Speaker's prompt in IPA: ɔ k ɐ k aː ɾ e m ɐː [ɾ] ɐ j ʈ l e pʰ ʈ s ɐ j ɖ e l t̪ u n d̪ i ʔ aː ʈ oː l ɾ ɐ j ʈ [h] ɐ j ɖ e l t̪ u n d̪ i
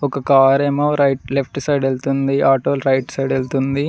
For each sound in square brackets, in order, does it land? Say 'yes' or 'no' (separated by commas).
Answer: yes, no